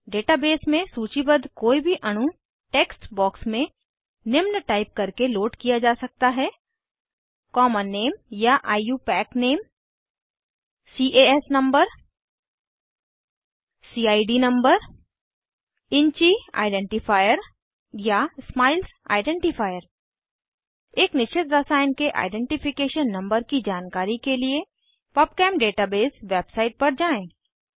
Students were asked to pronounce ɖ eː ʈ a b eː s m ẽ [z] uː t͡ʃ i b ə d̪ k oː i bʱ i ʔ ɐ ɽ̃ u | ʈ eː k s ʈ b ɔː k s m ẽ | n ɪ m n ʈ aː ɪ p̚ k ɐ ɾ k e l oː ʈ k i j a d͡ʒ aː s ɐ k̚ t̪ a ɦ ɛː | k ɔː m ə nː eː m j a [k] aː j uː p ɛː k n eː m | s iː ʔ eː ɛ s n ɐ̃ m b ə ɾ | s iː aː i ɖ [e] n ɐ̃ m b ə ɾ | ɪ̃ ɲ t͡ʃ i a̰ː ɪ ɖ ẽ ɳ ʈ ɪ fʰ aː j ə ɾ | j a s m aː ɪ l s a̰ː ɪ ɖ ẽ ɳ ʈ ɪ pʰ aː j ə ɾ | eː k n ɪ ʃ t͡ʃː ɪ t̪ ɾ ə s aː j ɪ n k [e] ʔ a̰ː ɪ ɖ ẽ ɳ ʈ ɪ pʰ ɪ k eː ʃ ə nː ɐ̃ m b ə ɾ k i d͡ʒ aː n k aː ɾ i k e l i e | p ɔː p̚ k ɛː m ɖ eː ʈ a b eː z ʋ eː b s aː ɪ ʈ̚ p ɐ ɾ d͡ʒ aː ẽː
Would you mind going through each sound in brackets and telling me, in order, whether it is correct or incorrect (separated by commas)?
incorrect, incorrect, incorrect, correct